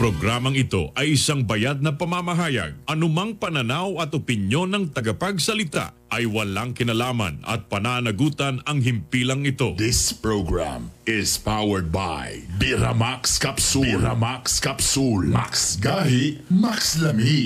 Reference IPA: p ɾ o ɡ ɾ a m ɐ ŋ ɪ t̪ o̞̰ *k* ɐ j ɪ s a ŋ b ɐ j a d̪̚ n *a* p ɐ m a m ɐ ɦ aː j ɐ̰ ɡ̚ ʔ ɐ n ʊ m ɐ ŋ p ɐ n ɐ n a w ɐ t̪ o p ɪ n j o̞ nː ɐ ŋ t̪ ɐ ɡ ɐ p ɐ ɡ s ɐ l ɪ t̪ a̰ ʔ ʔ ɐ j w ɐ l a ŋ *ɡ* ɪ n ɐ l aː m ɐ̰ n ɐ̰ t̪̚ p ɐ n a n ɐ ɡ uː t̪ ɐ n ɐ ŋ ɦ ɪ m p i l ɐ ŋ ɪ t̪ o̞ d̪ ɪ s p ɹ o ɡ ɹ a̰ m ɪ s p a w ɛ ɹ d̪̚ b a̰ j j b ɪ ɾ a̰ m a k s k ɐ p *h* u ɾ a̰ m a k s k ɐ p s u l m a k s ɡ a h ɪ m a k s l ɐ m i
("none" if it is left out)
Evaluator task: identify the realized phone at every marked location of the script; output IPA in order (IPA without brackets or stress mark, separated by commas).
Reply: ʔ, ɐ, k, s